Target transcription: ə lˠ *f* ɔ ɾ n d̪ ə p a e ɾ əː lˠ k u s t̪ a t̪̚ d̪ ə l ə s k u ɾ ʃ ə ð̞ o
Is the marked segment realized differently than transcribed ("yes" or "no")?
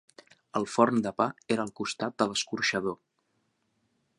no